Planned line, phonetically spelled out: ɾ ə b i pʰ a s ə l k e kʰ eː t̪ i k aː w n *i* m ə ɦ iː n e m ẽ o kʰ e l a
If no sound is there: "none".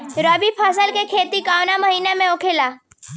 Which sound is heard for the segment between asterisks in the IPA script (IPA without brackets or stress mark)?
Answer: a